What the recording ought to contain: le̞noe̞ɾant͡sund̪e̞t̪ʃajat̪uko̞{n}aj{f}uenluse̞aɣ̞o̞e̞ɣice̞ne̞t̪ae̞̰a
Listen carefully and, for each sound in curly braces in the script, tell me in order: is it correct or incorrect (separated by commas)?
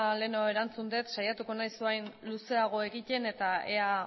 correct, incorrect